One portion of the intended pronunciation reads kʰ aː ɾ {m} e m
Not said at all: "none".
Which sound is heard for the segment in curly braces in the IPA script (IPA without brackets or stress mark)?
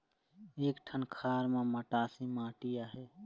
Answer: m